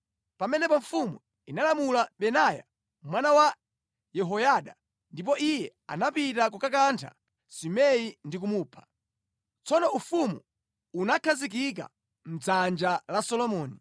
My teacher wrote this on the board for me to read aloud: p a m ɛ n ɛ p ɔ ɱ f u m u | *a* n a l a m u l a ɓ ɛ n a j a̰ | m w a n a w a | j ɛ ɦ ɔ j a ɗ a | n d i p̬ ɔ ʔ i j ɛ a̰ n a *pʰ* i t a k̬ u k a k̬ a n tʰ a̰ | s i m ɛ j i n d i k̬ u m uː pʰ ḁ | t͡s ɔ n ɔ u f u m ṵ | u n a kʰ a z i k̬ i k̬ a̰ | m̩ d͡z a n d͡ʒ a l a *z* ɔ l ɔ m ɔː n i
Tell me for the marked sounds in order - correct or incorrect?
incorrect: i, incorrect: p, incorrect: s

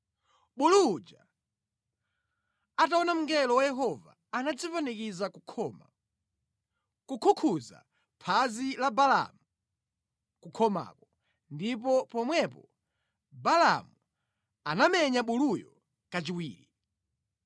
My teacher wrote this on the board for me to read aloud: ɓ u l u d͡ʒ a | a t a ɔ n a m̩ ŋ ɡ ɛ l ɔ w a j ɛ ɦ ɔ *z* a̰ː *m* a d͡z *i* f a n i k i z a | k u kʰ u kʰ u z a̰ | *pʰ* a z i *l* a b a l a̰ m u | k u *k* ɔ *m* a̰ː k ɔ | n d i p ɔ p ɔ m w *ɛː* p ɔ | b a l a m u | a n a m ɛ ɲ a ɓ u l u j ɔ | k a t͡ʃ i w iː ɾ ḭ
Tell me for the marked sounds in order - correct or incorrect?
incorrect: v, incorrect: n, correct, correct, correct, incorrect: kʰ, correct, incorrect: ɛ

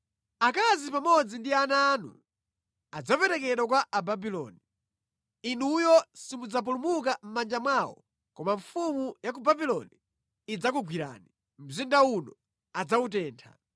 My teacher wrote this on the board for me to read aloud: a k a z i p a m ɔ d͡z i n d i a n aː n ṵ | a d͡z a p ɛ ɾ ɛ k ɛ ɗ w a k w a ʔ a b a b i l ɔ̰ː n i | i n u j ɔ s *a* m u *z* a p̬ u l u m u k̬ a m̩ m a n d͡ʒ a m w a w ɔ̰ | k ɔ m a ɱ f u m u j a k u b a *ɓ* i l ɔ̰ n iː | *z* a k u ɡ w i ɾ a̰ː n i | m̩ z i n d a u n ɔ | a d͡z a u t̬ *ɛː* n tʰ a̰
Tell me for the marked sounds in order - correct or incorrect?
incorrect: i, incorrect: d͡z, incorrect: b, incorrect: d͡z, correct

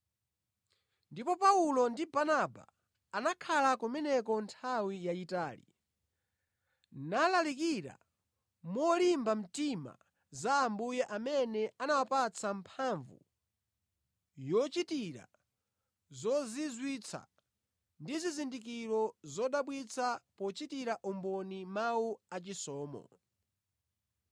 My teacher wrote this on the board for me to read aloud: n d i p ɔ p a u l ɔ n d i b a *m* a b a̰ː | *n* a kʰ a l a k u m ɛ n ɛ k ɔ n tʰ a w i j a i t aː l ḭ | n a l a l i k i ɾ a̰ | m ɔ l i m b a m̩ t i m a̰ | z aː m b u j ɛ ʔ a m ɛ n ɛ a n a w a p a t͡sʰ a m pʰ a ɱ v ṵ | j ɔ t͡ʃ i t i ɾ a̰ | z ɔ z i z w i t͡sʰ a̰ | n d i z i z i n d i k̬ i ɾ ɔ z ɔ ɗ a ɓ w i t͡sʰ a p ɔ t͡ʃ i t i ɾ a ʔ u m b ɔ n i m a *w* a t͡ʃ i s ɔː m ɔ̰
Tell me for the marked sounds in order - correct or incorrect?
incorrect: n, correct, incorrect: u

